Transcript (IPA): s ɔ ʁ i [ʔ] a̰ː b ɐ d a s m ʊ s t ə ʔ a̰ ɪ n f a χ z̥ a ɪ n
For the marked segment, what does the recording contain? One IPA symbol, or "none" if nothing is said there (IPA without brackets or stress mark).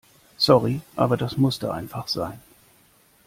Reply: ʔ